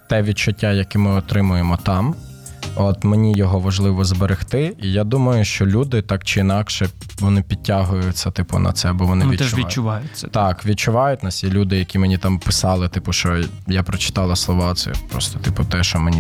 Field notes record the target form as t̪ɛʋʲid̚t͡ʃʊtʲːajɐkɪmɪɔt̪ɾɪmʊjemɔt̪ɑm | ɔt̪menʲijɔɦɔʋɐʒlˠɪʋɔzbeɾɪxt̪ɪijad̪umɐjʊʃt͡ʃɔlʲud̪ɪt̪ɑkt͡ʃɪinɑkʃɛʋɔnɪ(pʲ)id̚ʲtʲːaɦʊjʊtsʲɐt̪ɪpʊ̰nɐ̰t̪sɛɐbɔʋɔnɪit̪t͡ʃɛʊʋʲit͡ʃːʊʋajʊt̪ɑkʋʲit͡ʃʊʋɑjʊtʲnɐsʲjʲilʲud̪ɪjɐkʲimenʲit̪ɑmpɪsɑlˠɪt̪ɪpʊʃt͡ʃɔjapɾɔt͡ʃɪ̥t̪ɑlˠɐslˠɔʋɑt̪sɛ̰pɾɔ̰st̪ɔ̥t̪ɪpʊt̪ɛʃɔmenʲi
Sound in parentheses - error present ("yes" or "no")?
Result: no